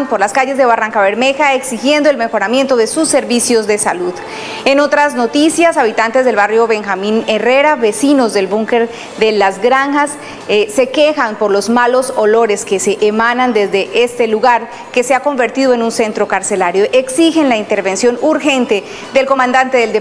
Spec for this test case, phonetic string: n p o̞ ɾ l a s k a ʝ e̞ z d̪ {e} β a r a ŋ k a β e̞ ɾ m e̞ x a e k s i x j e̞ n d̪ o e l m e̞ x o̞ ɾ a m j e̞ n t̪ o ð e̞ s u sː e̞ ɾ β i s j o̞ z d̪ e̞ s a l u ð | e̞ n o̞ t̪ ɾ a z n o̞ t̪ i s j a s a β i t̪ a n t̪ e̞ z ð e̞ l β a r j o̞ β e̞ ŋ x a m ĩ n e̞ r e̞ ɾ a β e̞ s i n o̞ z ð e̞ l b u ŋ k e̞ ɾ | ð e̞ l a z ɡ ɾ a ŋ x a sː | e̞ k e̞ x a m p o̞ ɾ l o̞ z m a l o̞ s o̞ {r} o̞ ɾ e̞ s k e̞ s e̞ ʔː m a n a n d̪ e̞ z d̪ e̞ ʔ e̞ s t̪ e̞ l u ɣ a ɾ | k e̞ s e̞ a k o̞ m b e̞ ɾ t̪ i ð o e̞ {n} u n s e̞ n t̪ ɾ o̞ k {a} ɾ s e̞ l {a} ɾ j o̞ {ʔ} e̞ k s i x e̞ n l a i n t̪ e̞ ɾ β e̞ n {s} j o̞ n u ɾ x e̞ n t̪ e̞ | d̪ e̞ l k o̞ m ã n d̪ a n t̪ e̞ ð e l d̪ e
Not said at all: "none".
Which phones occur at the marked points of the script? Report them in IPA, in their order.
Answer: e, l, n, a, a, ʔ, s

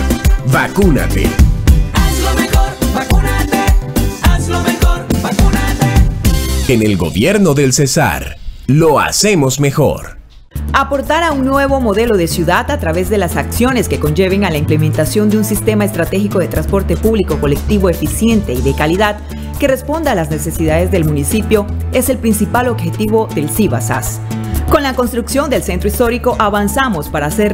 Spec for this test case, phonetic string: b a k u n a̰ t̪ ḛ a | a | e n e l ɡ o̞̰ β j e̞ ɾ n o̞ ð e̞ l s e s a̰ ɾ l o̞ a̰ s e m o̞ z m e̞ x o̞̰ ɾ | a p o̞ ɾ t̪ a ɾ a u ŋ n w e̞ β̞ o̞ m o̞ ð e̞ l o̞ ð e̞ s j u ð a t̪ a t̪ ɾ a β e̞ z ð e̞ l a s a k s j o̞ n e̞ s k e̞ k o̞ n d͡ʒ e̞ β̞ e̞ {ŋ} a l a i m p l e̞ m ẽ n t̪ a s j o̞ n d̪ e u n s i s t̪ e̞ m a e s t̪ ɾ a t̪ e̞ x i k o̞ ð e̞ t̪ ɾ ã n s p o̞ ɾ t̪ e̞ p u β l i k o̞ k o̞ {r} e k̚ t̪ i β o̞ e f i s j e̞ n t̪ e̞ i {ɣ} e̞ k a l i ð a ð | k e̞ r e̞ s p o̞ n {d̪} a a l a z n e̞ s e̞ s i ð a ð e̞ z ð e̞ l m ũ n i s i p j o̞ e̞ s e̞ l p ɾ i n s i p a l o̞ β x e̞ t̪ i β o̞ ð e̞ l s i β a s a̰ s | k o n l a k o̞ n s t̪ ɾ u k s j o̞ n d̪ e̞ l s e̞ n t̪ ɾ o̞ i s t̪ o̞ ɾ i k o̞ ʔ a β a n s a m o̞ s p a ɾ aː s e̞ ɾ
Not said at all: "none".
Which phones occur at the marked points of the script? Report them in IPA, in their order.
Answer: ŋ, l, ð, d̪

